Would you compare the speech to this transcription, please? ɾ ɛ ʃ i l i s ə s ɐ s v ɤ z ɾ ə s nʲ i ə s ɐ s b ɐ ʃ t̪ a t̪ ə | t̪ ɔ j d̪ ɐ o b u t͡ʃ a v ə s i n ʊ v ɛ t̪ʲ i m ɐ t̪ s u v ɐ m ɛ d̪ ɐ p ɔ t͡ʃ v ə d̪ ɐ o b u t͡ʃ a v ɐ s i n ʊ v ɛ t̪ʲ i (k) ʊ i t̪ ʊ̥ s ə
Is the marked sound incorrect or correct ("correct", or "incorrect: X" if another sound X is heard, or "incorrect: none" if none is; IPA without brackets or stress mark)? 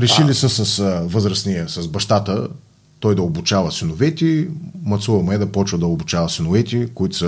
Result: correct